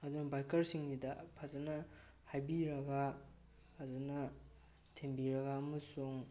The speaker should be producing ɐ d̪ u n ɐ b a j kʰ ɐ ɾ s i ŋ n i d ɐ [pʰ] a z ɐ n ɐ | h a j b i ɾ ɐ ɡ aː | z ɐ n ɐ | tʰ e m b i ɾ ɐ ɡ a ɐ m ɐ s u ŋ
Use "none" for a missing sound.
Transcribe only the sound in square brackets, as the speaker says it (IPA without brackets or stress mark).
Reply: pʰ